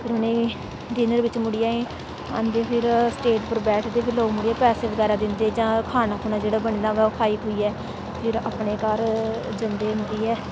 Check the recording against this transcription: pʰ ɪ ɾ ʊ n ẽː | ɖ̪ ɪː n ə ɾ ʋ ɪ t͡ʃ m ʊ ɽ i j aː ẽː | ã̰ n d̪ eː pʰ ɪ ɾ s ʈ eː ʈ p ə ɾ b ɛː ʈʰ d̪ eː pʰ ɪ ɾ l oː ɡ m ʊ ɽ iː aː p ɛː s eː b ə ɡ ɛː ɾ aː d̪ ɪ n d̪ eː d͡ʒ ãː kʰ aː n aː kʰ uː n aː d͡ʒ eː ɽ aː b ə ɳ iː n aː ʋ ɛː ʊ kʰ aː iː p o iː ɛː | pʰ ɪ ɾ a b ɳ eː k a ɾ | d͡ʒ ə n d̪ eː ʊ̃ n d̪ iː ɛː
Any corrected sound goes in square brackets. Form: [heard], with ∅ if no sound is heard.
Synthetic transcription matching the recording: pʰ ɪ ɾ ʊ n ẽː | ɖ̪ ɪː n ə ɾ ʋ ɪ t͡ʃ m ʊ ɽ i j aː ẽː | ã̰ n d̪ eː pʰ ɪ ɾ s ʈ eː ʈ p ə ɾ b ɛː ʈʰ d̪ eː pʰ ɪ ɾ l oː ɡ m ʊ ɽ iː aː p ɛː s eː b ə ɡ ɛː ɾ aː d̪ ɪ n d̪ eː d͡ʒ ãː kʰ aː n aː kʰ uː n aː d͡ʒ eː ɽ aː b ə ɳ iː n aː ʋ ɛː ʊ kʰ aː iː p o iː ɛː | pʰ ɪ ɾ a [p] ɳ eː k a ɾ | d͡ʒ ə n d̪ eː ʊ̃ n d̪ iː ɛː

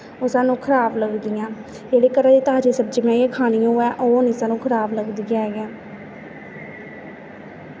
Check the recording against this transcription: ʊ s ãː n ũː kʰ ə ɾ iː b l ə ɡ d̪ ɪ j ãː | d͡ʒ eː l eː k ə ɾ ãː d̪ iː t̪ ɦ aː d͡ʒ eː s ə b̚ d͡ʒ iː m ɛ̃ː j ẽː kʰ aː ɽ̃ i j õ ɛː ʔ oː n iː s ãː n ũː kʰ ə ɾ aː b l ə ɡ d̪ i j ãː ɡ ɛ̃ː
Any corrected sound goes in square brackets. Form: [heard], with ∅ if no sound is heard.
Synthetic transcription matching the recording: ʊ s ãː n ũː kʰ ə ɾ [aː] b l ə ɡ d̪ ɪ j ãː | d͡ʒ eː [ɽ] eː k ə ɾ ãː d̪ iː t̪ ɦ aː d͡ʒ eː s ə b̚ d͡ʒ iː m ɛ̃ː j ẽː kʰ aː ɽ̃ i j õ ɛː ʔ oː n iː s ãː n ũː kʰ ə ɾ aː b l ə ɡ d̪ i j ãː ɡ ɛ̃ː

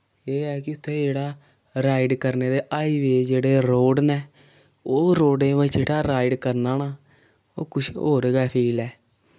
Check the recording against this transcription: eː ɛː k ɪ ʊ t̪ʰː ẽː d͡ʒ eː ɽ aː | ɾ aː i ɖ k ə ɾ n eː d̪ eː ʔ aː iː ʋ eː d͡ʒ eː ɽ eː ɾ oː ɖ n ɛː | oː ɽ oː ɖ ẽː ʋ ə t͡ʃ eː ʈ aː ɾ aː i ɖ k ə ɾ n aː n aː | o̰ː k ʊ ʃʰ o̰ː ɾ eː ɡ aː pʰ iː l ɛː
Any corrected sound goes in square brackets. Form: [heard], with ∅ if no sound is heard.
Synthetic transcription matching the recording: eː ɛː k ɪ ʊ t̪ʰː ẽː d͡ʒ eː ɽ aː | ɾ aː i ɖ k ə ɾ n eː d̪ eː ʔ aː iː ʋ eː d͡ʒ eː ɽ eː ɾ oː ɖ n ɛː | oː [ɾ] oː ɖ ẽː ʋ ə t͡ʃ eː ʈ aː ɾ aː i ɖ k ə ɾ n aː n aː | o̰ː k ʊ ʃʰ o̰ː ɾ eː ɡ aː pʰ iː l ɛː

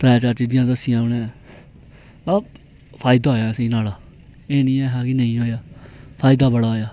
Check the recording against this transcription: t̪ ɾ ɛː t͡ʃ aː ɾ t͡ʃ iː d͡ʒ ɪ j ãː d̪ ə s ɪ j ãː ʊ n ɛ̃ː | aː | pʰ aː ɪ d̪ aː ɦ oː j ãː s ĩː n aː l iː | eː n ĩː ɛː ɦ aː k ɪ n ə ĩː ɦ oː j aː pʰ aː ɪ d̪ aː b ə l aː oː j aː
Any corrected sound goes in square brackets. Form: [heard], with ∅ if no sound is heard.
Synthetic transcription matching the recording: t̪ ɾ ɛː t͡ʃ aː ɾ t͡ʃ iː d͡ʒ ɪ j ãː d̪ ə s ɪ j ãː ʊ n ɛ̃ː | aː | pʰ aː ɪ d̪ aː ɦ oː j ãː s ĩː n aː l [aː] | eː n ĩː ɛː ɦ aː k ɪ n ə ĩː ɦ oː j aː pʰ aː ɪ d̪ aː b ə [ɽ] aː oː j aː

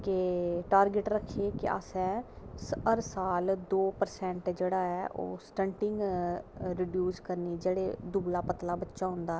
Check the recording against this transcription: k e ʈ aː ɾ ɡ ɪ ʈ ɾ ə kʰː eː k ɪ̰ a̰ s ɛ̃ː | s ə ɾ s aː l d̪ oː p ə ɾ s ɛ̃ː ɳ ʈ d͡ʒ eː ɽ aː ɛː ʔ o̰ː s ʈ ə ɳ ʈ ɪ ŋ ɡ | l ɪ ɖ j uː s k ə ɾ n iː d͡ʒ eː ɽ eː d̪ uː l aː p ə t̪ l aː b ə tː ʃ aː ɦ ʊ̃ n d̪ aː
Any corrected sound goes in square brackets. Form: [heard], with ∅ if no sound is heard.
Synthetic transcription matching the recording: k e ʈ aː ɾ ɡ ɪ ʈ ɾ ə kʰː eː k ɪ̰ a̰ s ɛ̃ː | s ə ɾ s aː l d̪ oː p ə ɾ s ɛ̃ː ɳ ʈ d͡ʒ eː ɽ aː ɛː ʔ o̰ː s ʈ ə ɳ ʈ ɪ ŋ ɡ | [ɾ] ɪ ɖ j uː s k ə ɾ n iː d͡ʒ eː ɽ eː d̪ uː l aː p ə t̪ l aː b ə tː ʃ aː ɦ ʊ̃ n d̪ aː

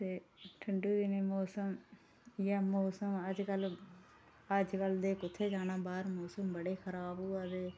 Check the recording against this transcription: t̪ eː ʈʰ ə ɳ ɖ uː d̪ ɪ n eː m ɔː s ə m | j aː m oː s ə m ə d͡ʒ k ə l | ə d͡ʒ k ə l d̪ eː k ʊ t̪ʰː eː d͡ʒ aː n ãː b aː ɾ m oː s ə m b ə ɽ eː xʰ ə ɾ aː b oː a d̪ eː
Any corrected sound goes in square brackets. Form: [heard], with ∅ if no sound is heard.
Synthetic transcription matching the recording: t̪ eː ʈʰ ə ɳ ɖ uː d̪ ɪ n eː m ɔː s ə m | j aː m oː s ə m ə d͡ʒ k ə l | ə d͡ʒ k ə l d̪ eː k ʊ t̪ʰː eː d͡ʒ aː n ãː b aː ɾ m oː s ə m b ə ɽ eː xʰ ə ɾ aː b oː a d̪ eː

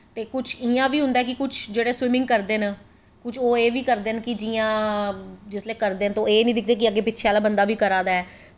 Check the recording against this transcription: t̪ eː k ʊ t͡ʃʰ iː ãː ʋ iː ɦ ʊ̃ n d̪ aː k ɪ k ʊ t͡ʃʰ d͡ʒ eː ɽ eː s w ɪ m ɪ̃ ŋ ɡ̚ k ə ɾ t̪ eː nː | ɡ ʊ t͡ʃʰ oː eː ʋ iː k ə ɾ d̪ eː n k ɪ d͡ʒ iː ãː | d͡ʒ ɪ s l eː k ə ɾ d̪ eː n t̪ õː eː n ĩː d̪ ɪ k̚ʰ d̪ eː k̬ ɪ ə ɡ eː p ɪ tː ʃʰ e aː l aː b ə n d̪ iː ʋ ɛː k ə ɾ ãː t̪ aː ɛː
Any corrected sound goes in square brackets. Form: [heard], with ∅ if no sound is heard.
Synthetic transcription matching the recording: t̪ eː k ʊ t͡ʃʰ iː ãː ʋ iː ɦ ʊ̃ n d̪ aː k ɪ k ʊ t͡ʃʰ d͡ʒ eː ɽ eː s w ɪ m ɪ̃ ŋ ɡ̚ k ə ɾ [d̪] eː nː | [k] ʊ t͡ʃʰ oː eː ʋ iː k ə ɾ d̪ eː n k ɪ d͡ʒ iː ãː | d͡ʒ ɪ s l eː k ə ɾ d̪ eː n t̪ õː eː n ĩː d̪ ɪ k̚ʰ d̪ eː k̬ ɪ ə ɡ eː p ɪ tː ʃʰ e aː l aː b ə n d̪ [aː] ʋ [iː] k ə ɾ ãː [d̪] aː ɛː

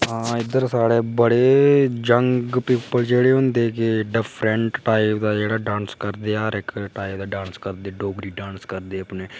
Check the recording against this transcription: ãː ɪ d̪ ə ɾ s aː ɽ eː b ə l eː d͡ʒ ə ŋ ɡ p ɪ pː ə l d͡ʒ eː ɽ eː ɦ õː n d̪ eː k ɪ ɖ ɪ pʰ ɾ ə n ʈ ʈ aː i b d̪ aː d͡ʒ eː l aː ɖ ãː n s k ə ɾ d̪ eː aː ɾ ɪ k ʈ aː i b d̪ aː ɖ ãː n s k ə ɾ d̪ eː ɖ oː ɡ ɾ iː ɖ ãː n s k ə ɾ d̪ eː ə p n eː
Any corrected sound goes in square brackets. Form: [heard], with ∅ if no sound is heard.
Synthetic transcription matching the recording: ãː ɪ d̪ ə ɾ s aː ɽ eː b ə [ɽ] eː d͡ʒ ə ŋ ɡ p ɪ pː ə l d͡ʒ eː ɽ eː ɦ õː n d̪ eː k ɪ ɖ ɪ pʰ ɾ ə [ɳ] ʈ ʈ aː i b d̪ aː d͡ʒ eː [ɽ] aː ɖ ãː n s k ə ɾ d̪ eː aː ɾ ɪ k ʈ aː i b d̪ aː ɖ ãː n s k ə ɾ d̪ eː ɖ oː ɡ ɾ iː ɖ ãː n s k ə ɾ d̪ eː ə p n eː

